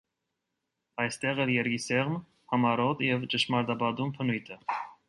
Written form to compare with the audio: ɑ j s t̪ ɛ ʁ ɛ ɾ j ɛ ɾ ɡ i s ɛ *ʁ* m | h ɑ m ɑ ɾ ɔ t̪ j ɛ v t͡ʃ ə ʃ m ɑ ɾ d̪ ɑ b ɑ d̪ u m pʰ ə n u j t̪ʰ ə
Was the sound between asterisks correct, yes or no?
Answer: yes